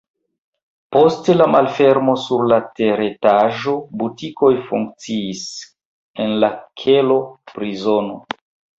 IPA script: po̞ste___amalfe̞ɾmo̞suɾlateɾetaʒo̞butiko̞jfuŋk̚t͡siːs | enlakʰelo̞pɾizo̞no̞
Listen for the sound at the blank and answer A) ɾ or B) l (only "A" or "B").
B